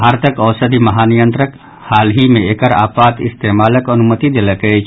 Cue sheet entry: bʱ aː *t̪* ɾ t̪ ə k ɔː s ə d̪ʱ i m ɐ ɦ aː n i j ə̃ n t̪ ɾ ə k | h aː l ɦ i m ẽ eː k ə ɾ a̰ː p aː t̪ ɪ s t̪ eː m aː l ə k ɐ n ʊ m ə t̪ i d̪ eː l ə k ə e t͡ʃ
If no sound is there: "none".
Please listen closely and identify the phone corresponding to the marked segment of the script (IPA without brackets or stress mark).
none